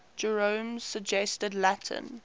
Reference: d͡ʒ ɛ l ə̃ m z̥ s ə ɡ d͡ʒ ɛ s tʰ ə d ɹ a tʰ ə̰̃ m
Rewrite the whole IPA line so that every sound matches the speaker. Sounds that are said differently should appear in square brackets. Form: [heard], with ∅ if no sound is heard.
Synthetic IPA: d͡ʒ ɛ [ɹ] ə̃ m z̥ s ə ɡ d͡ʒ ɛ s [t] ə d [l] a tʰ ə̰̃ [n]